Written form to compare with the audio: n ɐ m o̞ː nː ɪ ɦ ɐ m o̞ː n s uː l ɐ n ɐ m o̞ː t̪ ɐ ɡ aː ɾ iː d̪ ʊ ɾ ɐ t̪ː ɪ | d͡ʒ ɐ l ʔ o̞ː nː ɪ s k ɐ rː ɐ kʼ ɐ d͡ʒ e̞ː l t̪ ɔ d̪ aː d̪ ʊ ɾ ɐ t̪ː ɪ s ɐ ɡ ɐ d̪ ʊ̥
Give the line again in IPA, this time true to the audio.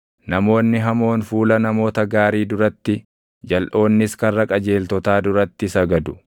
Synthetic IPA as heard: n ɐ m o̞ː nː ɪ ɦ ɐ m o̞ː n f uː l ɐ n ɐ m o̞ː t̪ ɐ ɡ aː ɾ iː d̪ ʊ ɾ ɐ t̪ː ɪ | d͡ʒ ɐ l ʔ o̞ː nː ɪ s k ɐ rː ɐ kʼ ɐ d͡ʒ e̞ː l t̪ ɔ t̪ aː d̪ ʊ ɾ ɐ t̪ː ɪ s ɐ ɡ ɐ d̪ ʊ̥